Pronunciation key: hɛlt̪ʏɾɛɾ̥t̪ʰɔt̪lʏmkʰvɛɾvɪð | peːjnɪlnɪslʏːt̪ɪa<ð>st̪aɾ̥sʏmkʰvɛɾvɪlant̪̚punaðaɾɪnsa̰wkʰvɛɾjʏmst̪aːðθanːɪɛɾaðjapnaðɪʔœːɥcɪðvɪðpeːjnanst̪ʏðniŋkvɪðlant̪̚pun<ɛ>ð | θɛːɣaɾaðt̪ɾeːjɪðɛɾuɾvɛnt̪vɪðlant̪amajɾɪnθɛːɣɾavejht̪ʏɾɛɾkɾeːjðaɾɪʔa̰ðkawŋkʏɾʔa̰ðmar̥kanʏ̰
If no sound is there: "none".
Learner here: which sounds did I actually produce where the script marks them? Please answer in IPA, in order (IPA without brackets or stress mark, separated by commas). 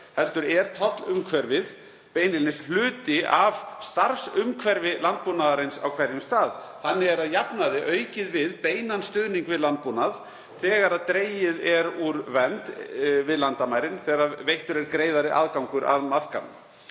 v, a